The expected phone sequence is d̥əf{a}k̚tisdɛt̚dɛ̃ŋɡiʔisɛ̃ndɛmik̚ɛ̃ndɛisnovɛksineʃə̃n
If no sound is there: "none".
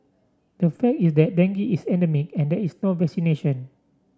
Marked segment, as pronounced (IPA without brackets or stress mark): ɛ